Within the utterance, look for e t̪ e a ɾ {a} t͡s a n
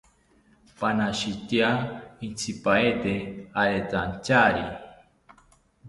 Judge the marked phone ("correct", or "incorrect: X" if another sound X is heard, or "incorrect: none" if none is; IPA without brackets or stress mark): incorrect: e